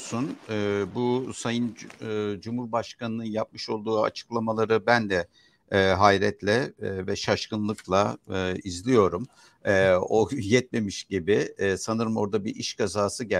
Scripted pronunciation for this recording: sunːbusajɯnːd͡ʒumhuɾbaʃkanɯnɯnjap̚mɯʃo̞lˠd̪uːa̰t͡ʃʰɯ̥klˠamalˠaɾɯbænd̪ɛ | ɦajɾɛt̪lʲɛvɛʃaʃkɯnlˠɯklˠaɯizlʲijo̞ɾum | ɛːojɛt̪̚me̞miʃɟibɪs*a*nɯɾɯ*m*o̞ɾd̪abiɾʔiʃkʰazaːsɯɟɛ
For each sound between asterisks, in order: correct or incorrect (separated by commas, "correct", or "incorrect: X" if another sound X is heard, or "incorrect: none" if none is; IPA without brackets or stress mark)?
correct, correct